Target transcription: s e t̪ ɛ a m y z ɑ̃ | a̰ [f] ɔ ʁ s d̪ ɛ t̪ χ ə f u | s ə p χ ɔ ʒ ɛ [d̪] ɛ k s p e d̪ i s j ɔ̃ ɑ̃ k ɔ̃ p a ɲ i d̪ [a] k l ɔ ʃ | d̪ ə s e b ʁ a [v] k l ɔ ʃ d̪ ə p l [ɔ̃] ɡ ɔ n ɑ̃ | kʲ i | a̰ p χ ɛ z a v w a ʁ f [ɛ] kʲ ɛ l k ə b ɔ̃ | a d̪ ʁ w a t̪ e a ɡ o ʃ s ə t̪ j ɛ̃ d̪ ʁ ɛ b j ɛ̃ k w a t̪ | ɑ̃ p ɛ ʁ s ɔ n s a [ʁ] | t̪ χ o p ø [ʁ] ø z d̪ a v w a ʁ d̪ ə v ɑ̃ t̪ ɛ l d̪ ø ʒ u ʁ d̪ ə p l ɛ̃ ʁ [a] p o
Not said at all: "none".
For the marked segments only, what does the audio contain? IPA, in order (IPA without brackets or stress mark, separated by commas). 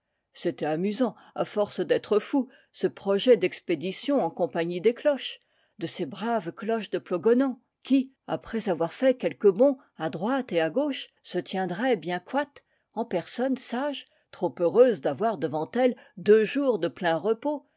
f, d̪, e, v, ɔ, ɛ, ʒ, ʁ, ə